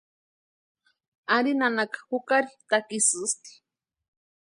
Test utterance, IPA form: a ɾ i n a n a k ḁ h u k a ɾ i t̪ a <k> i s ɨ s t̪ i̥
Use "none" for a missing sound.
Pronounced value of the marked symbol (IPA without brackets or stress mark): k